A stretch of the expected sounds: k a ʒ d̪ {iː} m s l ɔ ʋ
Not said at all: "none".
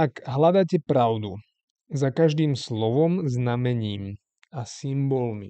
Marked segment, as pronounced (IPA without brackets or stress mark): iː